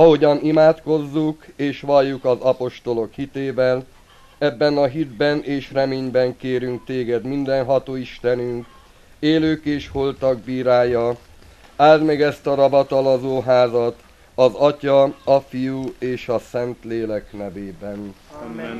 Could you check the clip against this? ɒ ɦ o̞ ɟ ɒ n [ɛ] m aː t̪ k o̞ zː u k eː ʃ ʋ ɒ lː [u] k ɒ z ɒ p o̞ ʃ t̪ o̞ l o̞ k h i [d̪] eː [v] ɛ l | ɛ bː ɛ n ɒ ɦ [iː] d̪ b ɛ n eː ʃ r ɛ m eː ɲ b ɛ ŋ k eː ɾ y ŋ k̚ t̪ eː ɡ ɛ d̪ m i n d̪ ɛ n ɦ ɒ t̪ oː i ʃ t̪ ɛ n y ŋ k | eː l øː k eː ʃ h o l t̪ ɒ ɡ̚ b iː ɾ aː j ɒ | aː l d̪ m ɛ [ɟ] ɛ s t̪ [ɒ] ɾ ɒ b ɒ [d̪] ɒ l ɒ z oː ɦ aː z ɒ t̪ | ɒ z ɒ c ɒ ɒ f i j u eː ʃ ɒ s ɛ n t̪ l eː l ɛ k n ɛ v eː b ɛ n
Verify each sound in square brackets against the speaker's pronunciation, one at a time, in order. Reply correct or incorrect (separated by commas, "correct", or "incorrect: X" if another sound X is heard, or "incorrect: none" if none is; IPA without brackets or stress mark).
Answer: incorrect: i, correct, incorrect: t̪, correct, incorrect: i, incorrect: ɡ, correct, incorrect: t̪